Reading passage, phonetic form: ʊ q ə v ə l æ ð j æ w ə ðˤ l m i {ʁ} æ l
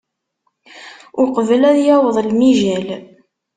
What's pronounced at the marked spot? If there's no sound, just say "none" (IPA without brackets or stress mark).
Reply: ʒ